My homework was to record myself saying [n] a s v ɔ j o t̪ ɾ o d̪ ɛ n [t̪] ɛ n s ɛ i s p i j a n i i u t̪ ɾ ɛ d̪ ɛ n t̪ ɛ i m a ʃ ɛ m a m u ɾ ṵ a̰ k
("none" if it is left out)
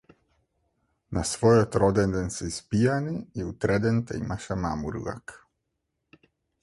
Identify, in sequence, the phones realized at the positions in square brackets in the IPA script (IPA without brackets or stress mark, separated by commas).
n, d̪